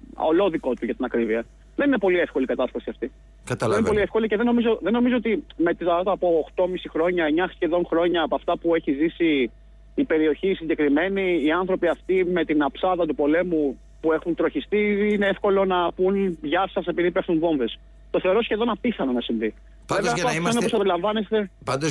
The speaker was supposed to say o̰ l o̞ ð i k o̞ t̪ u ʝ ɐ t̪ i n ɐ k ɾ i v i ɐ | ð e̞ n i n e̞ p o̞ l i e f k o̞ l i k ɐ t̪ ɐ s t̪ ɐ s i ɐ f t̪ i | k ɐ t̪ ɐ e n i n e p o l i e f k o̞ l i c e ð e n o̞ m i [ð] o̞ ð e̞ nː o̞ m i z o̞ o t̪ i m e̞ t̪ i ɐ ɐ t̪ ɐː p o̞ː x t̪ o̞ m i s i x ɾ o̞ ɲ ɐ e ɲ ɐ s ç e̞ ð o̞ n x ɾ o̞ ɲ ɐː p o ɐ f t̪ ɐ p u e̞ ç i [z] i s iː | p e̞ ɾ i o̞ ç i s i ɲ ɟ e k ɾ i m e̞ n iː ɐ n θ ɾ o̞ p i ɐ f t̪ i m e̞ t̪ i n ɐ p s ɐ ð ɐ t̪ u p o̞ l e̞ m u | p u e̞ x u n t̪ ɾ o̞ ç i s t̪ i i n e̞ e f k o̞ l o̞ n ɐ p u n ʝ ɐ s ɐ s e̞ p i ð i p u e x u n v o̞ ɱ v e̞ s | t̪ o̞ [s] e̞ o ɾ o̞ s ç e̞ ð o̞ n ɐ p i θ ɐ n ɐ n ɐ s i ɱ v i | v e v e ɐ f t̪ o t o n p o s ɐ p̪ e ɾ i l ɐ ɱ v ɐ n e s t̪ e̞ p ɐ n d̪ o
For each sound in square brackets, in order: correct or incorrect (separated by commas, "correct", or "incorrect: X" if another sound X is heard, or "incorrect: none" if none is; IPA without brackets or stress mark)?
incorrect: z, correct, incorrect: θ